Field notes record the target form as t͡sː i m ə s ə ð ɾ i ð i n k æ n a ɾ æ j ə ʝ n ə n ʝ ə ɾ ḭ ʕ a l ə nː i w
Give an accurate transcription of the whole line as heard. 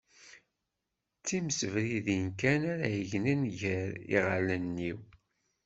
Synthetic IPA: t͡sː i m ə s ə v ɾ i ð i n k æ n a ɾ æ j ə ʝ n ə n ʝ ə ɾ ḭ ʁ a l ə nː i w